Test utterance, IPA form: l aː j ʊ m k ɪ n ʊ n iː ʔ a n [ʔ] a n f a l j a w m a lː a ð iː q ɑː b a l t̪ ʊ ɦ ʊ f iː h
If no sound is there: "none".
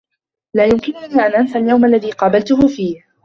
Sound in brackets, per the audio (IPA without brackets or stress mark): ʔ